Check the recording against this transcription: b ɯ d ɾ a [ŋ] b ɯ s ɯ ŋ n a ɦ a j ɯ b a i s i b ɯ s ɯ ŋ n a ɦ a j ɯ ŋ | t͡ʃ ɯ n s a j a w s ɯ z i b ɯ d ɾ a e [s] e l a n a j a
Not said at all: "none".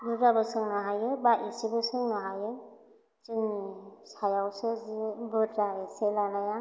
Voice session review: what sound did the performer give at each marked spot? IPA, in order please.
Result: none, s

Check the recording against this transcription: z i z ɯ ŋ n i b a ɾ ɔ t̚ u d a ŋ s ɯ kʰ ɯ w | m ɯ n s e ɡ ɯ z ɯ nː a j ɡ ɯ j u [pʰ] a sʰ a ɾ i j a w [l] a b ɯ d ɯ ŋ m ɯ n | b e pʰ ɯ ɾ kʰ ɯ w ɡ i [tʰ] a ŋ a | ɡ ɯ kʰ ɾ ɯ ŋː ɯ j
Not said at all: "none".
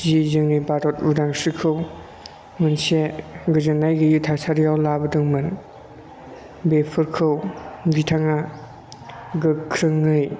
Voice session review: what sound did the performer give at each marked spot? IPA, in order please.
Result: tʰ, l, tʰ

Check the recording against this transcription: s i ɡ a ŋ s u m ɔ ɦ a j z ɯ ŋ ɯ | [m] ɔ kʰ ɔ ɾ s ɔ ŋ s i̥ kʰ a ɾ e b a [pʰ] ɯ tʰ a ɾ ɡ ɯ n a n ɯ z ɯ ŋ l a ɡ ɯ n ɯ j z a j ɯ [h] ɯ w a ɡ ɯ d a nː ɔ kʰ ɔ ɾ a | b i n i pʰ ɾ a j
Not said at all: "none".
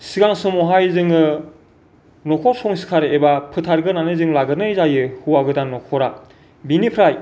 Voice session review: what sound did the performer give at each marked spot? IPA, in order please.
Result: n, pʰ, h

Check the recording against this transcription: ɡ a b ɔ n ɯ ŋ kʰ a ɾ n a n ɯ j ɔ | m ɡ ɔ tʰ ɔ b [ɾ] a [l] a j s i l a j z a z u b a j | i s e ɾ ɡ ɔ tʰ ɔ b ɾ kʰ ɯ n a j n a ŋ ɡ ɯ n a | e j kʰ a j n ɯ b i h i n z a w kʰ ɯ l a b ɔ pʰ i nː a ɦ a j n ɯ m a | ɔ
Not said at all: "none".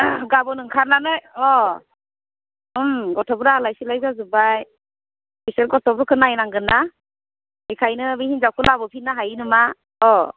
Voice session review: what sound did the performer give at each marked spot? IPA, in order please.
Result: ɾ, l

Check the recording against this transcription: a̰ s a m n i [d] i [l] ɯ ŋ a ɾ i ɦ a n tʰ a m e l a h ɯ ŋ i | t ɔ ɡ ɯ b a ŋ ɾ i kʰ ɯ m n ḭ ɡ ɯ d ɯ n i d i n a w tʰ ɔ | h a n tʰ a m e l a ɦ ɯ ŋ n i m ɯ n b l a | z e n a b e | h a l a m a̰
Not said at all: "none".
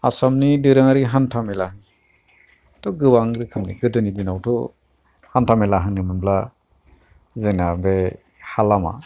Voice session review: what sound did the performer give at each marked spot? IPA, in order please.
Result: d, ɾ

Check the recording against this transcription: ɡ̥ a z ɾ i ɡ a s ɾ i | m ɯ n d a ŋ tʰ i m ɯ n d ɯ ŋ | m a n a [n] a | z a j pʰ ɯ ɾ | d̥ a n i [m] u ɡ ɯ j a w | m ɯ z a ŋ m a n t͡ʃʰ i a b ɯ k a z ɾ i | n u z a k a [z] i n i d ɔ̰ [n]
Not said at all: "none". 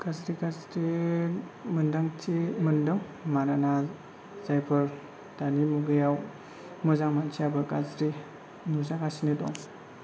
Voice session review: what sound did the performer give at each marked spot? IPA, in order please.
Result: n, m, s, ŋ

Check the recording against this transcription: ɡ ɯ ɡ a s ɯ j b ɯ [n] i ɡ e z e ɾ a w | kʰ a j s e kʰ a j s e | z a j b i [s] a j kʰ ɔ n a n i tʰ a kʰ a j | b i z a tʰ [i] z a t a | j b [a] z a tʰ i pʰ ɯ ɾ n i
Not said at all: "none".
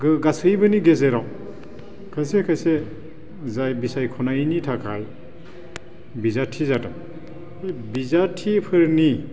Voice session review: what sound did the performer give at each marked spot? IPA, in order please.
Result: n, s, i, i

